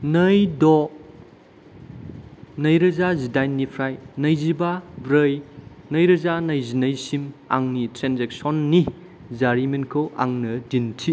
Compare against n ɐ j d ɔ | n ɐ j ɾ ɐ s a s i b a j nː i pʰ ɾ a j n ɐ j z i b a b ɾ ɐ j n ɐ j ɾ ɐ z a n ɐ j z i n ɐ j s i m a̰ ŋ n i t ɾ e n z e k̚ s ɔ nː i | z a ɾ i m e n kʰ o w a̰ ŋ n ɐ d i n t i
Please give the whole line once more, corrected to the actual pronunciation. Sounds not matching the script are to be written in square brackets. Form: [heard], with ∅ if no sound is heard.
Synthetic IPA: n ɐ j d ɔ | n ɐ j ɾ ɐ [z] a [z] i [d] a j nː i pʰ ɾ a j n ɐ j z i b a b ɾ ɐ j n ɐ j ɾ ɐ z a n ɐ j z i n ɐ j s i m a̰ ŋ n i t ɾ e n z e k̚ s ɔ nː i | z a ɾ i m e n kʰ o w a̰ ŋ n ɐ d i n [tʰ] i